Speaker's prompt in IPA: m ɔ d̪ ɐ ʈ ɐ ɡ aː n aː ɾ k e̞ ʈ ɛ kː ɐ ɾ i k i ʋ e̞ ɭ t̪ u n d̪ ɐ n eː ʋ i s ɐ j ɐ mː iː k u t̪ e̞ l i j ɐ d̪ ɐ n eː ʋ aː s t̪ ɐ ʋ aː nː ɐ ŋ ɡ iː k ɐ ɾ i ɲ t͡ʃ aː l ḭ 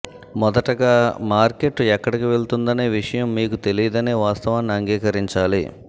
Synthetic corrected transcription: m ɔ d̪ ɐ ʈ ɐ ɡ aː m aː ɾ k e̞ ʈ ɛ kː ɐ ɽ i k i ʋ e̞ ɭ t̪ u n d̪ ɐ n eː ʋ i ʂ ɐ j ɐ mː iː k u t̪ e̞ l i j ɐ d̪ ɐ n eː ʋ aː s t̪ ɐ ʋ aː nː ɐ ŋ ɡ iː k ɐ ɾ i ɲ t͡ʃ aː l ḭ